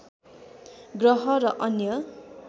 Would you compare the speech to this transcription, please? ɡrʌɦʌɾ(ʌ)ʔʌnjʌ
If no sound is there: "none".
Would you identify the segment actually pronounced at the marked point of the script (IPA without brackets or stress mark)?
ʌ